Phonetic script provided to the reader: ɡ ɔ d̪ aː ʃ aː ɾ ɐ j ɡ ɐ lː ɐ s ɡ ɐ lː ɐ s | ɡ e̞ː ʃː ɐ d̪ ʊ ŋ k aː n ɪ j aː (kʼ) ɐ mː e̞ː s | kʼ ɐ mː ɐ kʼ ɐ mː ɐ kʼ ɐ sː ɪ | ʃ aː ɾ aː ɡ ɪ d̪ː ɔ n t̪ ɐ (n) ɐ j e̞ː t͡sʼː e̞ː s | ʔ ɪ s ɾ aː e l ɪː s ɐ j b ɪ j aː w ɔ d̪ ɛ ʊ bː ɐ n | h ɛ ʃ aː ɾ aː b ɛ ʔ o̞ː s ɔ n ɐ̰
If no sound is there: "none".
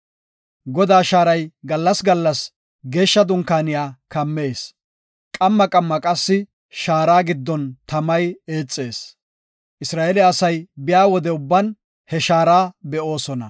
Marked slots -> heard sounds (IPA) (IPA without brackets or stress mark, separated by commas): k, m